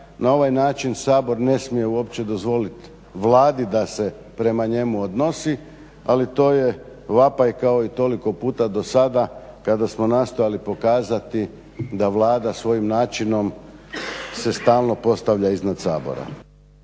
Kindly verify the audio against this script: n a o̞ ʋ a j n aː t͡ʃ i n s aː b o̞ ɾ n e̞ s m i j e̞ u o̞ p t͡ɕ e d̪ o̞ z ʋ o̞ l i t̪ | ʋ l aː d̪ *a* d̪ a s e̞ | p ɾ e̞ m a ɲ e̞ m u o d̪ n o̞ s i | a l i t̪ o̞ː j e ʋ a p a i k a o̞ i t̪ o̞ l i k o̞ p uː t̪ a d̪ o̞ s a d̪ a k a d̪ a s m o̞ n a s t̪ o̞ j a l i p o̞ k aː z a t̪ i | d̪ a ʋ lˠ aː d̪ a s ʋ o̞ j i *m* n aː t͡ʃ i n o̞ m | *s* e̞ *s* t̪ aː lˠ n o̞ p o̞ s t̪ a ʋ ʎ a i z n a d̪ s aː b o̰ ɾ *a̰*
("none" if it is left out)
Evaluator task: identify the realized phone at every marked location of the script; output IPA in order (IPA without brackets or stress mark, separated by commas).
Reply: i, m, s, s, a̰